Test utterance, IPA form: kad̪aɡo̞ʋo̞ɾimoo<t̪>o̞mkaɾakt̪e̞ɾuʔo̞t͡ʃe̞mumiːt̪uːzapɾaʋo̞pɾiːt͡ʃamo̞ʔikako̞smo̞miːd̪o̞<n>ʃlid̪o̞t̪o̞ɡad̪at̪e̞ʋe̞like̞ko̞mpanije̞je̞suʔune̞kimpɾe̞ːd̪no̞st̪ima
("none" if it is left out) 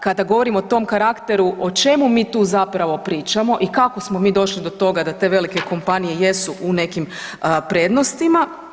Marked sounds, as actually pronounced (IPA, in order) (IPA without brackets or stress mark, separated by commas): t̪, none